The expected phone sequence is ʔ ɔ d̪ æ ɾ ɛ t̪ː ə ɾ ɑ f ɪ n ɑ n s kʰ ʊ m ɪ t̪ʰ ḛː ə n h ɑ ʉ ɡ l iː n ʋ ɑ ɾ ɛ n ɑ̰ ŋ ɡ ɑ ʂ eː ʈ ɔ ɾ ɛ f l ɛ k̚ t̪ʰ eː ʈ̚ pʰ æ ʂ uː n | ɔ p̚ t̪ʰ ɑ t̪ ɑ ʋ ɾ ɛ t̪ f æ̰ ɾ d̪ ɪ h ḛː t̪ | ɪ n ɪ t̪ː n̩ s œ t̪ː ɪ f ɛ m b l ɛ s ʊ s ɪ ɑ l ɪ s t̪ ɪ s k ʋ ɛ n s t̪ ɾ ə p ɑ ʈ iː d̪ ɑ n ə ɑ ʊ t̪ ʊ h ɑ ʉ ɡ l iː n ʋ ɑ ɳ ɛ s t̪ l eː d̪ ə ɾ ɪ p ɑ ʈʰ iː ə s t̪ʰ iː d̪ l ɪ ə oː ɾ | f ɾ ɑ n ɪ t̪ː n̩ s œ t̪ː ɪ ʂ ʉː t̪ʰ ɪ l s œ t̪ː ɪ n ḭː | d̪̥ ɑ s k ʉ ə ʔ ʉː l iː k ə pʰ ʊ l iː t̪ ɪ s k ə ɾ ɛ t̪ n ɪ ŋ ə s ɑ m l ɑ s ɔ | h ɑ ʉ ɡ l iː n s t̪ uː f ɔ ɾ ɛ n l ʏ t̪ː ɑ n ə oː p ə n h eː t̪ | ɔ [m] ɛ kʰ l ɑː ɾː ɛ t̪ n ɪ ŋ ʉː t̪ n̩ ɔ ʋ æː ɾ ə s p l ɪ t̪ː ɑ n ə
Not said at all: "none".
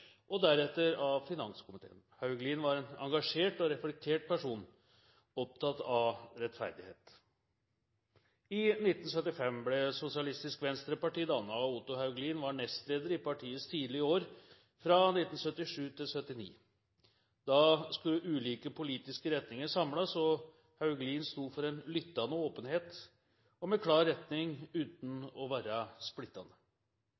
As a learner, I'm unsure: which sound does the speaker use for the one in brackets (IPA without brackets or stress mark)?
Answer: m